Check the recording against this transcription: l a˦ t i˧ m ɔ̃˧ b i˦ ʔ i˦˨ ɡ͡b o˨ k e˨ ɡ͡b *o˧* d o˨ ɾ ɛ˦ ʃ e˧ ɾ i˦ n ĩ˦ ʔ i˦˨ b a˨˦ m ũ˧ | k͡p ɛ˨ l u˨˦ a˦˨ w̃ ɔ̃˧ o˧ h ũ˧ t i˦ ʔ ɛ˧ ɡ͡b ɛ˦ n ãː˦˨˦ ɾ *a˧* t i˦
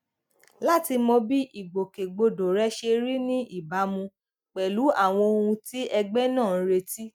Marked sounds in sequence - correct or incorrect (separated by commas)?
correct, incorrect